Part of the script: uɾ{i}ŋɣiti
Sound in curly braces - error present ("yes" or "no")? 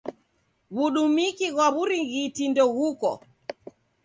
no